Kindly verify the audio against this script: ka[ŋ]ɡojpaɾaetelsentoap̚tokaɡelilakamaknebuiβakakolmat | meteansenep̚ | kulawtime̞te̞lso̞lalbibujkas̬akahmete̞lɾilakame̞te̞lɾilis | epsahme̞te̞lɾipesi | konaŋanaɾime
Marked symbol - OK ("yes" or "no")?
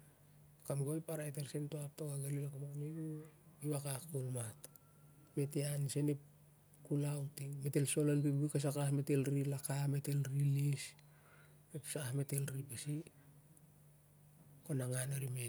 no